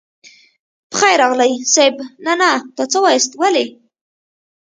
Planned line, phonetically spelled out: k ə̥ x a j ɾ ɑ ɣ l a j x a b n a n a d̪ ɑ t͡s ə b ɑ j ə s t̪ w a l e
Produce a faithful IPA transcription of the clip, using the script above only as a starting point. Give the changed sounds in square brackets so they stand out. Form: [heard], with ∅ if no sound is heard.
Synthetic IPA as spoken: [p] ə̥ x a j ɾ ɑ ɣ l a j [s] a b n a n a [t̪] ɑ t͡s ə [w] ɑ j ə s t̪ w a l e